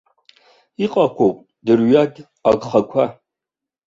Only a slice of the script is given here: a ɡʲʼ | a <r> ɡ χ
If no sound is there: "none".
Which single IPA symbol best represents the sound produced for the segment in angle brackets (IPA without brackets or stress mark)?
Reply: none